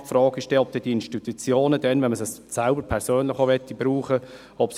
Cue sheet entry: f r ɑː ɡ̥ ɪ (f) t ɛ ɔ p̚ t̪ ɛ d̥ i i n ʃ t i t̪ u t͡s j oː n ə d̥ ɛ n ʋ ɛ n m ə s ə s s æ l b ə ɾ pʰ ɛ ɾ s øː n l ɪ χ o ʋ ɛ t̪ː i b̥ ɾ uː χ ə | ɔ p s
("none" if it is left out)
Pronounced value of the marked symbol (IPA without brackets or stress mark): ʃ